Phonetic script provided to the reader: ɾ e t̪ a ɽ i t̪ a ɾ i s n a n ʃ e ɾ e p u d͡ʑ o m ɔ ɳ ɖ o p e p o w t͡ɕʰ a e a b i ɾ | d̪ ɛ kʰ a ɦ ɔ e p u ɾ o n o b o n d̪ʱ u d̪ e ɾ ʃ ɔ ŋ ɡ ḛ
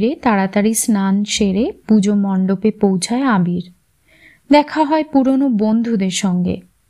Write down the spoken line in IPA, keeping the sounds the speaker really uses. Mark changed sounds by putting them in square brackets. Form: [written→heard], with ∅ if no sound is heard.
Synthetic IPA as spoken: ɾ e t̪ a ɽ [i→a] t̪ a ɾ i s n a n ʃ e ɾ e p u d͡ʑ o m ɔ ɳ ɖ o p e p o w t͡ɕʰ a e a b i ɾ | d̪ ɛ kʰ a ɦ ɔ e p u ɾ o n o b o n d̪ʱ u d̪ e ɾ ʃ ɔ ŋ ɡ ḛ